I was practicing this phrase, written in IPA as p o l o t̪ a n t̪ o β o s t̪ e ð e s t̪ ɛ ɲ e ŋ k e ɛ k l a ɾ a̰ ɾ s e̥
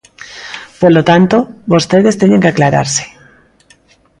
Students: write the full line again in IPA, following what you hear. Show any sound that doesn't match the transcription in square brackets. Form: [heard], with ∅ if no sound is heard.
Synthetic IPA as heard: p o l o t̪ a n t̪ o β o s t̪ e ð e s t̪ [e] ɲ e ŋ k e [a] k l a ɾ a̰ ɾ s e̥